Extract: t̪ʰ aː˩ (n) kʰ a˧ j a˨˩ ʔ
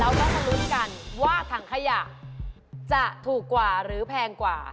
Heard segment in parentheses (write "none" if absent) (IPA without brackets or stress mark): ŋ